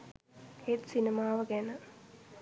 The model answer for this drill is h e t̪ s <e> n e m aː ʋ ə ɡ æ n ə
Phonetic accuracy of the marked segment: incorrect: i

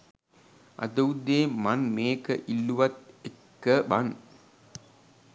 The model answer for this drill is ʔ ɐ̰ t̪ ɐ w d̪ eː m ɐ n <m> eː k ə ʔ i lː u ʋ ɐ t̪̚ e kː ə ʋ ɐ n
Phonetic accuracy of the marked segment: correct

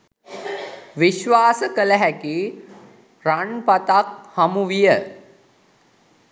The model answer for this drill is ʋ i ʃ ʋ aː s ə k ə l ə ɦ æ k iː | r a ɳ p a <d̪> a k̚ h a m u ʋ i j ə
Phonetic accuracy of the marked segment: incorrect: t̪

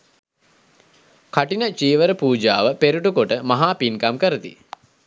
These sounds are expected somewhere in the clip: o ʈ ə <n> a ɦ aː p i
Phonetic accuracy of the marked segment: incorrect: m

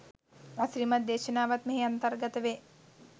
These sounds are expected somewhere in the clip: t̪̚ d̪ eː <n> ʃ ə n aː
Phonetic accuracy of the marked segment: incorrect: none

